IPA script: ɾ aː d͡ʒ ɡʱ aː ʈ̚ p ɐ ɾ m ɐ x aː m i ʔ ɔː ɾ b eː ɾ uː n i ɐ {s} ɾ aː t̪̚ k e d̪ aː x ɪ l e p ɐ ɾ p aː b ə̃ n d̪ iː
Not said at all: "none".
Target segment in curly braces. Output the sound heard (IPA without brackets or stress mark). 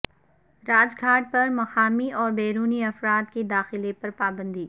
f